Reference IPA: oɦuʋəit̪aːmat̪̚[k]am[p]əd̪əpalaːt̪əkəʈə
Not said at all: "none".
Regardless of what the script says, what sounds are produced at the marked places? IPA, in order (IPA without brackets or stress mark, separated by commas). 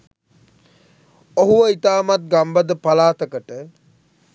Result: ɡ, b